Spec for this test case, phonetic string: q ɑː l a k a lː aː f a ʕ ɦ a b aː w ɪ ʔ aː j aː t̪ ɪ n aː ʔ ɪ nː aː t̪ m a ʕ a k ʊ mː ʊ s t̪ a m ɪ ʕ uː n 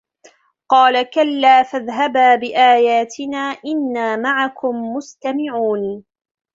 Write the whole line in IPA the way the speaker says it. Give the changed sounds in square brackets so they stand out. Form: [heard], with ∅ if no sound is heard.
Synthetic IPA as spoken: q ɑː l a k a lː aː f a [ð] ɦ a b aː [b] ɪ ʔ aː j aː t̪ ɪ n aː ʔ ɪ nː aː [∅] m a ʕ a k ʊ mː ʊ s t̪ a m ɪ ʕ uː n